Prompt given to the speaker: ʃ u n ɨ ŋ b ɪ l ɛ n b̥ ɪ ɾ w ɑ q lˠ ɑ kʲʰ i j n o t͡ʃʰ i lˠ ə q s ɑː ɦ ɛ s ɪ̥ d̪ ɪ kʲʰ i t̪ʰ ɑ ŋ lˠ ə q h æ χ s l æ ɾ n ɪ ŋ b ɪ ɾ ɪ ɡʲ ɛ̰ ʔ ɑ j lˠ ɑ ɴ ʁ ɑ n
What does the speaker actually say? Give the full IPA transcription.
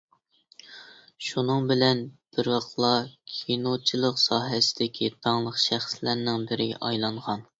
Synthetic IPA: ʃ u n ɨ ŋ b ɪ l ɛ n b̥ ɪ ɾ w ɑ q lˠ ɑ kʲʰ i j n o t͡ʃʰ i lˠ ə q s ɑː ɦ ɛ s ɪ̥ d̪ ɪ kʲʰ i t̪ʰ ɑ ŋ lˠ ə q ʃ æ χ s l æ ɾ n ɪ ŋ b ɪ ɾ ɪ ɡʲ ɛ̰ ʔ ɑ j lˠ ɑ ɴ ʁ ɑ n